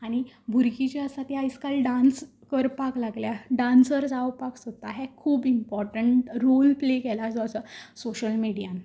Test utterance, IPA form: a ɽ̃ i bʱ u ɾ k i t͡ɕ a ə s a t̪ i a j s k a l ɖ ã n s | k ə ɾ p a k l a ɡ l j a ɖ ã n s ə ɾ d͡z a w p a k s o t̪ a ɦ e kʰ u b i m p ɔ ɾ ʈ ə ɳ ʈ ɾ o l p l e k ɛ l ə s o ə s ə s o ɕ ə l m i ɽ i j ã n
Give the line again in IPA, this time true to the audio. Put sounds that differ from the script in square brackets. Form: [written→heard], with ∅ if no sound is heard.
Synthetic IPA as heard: a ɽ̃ i bʱ u ɾ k i t͡ɕ a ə s a t̪ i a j s k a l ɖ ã n s | k ə ɾ p a k l a ɡ l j a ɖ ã n s ə ɾ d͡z a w p a k s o t̪ a ɦ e kʰ [u→uː] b i m p ɔ ɾ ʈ ə ɳ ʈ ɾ o l p l e k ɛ l [ə→a] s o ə s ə s o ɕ ə l m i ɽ i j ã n